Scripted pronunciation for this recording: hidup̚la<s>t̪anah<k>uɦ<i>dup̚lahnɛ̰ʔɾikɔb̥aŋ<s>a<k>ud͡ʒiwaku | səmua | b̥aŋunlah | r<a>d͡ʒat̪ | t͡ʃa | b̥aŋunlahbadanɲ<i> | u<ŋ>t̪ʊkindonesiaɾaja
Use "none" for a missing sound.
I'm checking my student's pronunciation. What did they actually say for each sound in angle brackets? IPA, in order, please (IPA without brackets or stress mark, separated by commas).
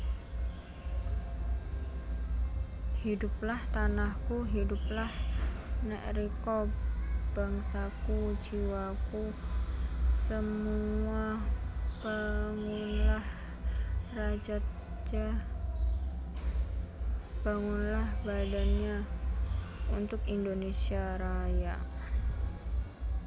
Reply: h, k, i, s, k, a, a, n